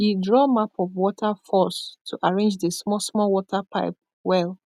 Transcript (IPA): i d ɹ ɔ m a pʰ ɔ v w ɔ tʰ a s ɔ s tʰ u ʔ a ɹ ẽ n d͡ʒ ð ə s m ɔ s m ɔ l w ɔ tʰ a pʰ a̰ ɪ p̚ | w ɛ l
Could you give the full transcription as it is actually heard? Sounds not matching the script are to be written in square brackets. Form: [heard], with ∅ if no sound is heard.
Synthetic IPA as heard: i d ɹ ɔ m a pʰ ɔ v w ɔ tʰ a [f] ɔ s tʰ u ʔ a ɹ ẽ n d͡ʒ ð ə s m ɔ s m ɔ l w ɔ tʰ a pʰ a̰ ɪ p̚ | w ɛ l